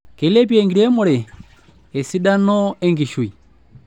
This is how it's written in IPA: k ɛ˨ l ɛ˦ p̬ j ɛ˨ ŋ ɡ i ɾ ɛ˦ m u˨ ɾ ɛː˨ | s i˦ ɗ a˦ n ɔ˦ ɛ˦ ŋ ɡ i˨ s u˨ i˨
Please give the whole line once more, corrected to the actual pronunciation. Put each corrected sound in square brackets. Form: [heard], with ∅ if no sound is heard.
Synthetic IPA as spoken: k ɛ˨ l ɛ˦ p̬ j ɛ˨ ŋ ɡ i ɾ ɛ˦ m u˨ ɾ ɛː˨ | s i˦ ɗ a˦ n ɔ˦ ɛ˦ ŋ ɡ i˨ [ʃ] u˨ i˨